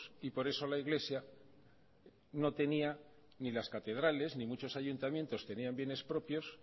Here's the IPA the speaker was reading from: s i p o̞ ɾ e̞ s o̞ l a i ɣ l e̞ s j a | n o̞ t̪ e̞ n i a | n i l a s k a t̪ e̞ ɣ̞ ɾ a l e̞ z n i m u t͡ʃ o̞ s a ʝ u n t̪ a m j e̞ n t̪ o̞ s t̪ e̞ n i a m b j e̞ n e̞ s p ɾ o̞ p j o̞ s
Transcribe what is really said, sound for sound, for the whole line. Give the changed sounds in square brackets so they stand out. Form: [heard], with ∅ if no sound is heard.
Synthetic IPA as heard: s i p o̞ ɾ e̞ s o̞ l a i ɣ l e̞ s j a | n o̞ t̪ e̞ n i a | n i l a s k a t̪ e̞ [ð̞] ɾ a l e̞ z n i m u t͡ʃ o̞ s a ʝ u n t̪ a m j e̞ n t̪ o̞ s t̪ e̞ n i a m b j e̞ n e̞ s p ɾ o̞ p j o̞ s